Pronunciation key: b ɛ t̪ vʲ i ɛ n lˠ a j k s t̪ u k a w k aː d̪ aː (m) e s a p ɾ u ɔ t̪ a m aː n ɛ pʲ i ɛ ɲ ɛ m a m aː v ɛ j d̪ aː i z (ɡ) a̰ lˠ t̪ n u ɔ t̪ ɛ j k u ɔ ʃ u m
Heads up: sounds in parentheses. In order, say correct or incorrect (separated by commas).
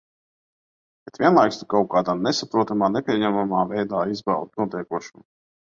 incorrect, incorrect